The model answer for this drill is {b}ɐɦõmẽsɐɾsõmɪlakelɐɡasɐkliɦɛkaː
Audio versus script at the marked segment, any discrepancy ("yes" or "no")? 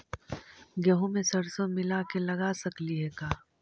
yes